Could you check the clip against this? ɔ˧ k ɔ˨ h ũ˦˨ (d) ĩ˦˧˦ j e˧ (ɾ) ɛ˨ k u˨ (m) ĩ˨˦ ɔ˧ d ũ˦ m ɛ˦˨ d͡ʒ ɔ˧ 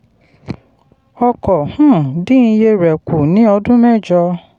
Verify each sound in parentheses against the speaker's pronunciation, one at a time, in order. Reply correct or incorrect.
correct, correct, incorrect: n

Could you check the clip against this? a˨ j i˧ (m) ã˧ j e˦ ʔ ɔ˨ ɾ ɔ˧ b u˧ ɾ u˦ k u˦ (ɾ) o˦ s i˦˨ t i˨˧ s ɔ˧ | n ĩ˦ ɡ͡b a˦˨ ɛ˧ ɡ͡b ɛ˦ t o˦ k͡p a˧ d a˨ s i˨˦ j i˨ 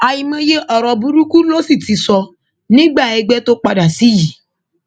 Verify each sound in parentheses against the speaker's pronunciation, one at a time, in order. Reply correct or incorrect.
correct, incorrect: l

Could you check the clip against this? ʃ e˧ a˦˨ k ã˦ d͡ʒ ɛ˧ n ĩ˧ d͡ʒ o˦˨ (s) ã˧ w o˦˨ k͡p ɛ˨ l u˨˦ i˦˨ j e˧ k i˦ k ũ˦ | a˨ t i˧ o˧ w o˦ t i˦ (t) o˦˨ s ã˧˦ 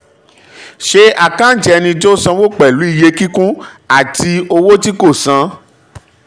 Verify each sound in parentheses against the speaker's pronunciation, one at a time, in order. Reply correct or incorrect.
correct, incorrect: k

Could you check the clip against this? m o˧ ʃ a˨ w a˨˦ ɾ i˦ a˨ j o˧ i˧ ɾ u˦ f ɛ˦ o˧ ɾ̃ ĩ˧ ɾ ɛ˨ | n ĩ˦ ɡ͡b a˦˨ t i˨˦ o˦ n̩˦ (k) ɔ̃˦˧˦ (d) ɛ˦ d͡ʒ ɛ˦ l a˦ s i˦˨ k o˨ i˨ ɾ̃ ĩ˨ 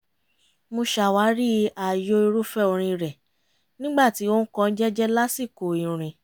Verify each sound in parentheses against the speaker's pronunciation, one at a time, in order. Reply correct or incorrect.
correct, incorrect: d͡ʒ

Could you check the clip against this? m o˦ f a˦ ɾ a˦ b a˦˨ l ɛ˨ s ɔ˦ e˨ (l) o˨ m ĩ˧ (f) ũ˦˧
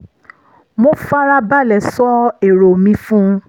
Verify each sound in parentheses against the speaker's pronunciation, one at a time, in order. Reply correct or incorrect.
incorrect: ɾ, correct

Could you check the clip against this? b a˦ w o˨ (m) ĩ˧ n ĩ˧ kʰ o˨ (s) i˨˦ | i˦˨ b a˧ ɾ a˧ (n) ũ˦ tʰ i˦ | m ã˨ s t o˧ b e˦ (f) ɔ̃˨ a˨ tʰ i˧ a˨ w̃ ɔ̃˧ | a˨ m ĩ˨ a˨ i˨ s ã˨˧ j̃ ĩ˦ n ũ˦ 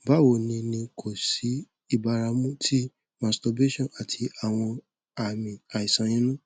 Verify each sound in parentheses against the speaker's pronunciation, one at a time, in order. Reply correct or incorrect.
incorrect: n, correct, incorrect: m, incorrect: ʃ

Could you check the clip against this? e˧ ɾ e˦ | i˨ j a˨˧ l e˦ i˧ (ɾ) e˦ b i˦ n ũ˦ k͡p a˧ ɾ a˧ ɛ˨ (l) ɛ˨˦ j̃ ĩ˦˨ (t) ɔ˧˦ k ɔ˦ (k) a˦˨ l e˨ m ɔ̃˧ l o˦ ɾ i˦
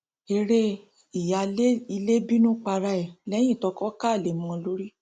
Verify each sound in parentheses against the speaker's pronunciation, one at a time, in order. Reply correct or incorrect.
incorrect: l, correct, correct, correct

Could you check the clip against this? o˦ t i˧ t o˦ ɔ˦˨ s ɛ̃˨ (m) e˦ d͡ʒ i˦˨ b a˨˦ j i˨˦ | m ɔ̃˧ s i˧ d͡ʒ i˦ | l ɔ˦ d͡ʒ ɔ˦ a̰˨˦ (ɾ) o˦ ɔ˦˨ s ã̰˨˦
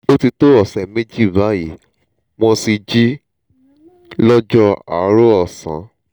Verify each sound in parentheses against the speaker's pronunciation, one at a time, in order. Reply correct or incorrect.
correct, correct

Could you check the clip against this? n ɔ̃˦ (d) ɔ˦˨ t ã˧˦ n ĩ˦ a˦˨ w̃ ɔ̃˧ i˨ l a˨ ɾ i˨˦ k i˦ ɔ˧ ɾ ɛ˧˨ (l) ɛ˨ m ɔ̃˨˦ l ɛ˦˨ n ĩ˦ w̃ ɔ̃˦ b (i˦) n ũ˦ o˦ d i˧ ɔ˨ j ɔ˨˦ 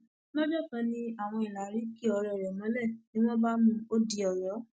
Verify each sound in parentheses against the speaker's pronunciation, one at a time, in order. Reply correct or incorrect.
incorrect: d͡ʒ, incorrect: ɾ, incorrect: a˦

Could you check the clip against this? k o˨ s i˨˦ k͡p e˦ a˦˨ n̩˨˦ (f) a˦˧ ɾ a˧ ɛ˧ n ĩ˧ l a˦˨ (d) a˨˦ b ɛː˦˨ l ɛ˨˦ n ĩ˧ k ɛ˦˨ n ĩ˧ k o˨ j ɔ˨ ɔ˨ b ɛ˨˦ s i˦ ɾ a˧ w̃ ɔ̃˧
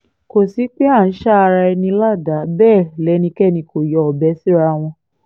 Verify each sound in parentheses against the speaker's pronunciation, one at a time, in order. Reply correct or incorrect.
incorrect: ʃ, correct

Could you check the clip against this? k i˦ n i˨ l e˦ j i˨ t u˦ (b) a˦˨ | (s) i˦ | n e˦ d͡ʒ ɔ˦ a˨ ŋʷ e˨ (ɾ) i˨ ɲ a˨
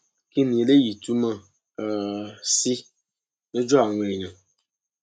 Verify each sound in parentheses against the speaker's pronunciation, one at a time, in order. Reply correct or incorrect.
incorrect: m, correct, correct

